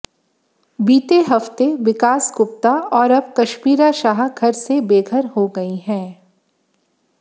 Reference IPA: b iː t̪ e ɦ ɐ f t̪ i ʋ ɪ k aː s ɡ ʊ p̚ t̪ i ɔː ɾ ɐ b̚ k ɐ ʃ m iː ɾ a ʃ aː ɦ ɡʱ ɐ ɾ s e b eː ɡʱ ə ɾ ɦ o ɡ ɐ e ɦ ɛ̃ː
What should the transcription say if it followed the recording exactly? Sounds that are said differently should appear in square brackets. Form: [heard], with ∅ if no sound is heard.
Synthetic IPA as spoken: b iː t̪ e ɦ ɐ f t̪ [e] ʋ ɪ k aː s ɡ ʊ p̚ t̪ [a] ɔː ɾ ɐ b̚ k ɐ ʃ m iː ɾ a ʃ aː ɦ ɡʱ ɐ ɾ s e b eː ɡʱ ə ɾ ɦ o ɡ ɐ [i] ɦ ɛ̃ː